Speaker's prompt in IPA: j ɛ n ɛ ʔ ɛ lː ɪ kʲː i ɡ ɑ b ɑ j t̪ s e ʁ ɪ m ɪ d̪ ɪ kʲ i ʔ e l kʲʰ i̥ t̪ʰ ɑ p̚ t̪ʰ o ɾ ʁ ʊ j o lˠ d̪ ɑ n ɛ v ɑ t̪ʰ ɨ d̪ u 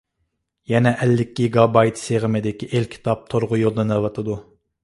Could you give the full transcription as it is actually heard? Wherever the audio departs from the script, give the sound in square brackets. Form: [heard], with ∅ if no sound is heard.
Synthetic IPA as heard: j ɛ n ɛ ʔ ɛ lː ɪ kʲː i ɡ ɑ b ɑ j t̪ s e ʁ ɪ m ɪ d̪ ɪ kʲ i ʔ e l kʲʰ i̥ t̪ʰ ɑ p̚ t̪ʰ o ɾ ʁ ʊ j o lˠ d̪ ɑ n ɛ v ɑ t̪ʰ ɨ d̪ u